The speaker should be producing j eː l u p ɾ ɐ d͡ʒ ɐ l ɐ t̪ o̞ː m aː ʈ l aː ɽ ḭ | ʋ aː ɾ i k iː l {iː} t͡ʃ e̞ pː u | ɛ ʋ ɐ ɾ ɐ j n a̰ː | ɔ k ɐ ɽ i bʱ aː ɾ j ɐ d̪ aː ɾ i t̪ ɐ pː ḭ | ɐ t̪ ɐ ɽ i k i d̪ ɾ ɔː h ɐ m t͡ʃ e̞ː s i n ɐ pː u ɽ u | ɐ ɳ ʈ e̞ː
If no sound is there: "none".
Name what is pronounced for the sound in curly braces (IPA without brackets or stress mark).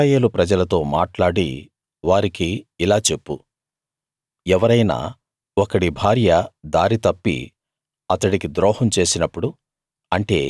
aː